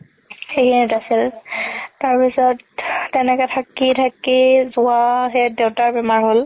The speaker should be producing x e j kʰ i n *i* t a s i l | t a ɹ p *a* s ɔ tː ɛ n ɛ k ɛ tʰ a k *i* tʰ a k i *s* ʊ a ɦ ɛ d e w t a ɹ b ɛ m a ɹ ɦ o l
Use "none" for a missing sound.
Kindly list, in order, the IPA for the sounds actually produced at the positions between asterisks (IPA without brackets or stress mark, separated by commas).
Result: i, i, i, z